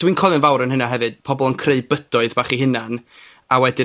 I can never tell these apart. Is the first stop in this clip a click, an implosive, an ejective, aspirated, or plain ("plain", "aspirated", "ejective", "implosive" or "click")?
plain